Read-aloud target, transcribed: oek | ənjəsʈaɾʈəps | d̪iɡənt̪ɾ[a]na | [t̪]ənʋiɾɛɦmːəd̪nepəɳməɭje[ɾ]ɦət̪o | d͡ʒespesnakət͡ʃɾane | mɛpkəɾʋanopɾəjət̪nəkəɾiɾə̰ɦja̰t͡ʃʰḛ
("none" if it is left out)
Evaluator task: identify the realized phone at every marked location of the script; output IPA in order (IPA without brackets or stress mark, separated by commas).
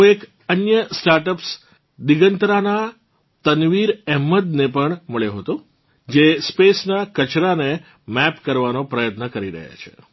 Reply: a, t̪, none